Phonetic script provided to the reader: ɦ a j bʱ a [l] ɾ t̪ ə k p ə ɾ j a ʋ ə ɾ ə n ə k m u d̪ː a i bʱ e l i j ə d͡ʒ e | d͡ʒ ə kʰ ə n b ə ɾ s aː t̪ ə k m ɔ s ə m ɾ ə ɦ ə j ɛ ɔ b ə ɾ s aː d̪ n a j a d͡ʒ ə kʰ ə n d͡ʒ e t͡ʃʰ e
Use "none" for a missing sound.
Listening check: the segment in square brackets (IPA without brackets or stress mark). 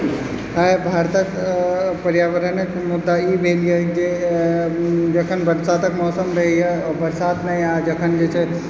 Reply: none